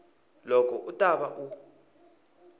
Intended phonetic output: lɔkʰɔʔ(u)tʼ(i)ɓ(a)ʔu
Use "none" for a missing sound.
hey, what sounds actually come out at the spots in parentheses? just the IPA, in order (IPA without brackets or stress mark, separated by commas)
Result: u, a, a